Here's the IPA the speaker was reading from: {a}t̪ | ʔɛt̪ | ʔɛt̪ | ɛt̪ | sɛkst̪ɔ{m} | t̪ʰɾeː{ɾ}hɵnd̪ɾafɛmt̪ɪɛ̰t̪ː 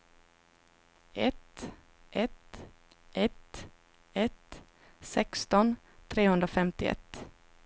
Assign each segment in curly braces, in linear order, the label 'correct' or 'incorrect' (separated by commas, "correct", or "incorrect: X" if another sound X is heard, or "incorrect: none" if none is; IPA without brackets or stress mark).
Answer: incorrect: ɛ, incorrect: n, incorrect: none